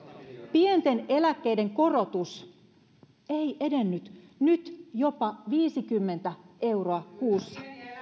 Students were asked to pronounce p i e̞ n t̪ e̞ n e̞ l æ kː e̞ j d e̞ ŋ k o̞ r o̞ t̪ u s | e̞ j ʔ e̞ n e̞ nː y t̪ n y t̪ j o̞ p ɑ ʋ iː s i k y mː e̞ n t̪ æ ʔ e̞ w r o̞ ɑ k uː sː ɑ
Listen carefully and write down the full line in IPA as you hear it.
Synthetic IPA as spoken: p i e̞ n t̪ e̞ n e̞ l æ kː e̞ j d e̞ ŋ k o̞ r o̞ t̪ u s | e̞ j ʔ e̞ d e̞ nː y t̪ n y t̪ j o̞ p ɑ ʋ iː s i k y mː e̞ n t̪ æ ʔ e̞ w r o̞ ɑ k uː sː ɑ